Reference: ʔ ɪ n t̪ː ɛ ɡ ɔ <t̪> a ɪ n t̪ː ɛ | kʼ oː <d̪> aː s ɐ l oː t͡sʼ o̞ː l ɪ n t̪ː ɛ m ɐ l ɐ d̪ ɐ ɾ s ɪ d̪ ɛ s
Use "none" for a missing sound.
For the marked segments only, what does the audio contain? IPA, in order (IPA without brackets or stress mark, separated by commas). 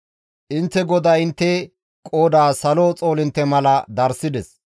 d̪, d̪